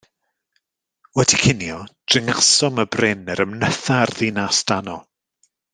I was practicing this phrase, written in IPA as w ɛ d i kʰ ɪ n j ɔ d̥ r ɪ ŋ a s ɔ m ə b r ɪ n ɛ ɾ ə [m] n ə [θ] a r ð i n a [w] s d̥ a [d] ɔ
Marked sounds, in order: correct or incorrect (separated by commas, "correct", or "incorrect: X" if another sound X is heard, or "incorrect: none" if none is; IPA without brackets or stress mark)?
correct, correct, incorrect: none, incorrect: n